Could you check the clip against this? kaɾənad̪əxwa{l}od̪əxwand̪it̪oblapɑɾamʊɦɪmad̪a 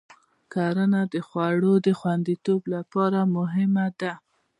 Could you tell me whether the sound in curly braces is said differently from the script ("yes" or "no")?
yes